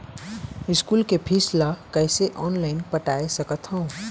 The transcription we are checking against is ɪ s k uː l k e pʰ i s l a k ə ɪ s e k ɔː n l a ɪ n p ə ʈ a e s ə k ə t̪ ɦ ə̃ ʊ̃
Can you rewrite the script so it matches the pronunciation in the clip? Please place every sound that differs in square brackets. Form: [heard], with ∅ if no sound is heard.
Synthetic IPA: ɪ s k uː l k e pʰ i s l a k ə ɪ s e [ʔ] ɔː n l a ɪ n p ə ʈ a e s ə k ə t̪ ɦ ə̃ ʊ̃

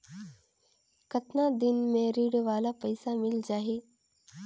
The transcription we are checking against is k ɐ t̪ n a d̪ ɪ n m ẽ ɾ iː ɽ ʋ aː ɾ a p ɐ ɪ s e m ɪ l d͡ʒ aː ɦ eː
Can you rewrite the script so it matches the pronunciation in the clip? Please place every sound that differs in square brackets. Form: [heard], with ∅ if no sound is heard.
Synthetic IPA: k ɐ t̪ n a d̪ ɪ n m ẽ ɾ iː ɽ ʋ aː [l] a p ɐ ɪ s [a] m ɪ l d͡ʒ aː ɦ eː

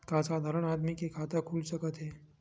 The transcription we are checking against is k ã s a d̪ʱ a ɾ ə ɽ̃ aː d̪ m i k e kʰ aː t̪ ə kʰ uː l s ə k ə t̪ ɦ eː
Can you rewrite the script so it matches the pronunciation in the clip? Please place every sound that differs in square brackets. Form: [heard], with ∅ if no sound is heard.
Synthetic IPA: k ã s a d̪ʱ a ɾ ə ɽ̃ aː d̪ m i k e kʰ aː t̪ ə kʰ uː l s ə k ə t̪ ɦ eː

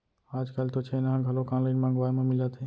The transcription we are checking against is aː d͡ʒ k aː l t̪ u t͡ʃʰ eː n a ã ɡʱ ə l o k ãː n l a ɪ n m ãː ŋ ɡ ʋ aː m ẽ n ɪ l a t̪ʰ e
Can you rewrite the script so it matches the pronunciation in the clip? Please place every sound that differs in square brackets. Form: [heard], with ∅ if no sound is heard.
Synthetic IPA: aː d͡ʒ k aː l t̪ [o] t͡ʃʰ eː n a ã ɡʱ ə l o k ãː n l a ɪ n m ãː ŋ ɡ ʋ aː m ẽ [m] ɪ l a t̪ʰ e

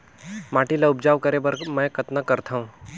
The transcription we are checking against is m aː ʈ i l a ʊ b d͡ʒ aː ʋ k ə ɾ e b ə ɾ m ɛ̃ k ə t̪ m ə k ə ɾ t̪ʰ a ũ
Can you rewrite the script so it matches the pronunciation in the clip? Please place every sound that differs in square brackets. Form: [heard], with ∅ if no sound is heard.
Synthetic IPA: m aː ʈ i l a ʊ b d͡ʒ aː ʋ k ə ɾ e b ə ɾ m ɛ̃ k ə t̪ [n] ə k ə ɾ t̪ʰ a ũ

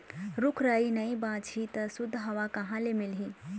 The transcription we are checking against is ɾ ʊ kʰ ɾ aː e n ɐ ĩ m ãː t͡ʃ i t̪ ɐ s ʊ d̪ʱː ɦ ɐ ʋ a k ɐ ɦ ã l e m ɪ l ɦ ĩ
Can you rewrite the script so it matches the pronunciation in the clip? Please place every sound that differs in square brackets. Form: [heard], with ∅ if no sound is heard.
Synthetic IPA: ɾ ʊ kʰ ɾ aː [i] n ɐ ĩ [b] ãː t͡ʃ i t̪ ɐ s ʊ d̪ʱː ɦ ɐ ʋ a k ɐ ɦ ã l e m ɪ l ɦ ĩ

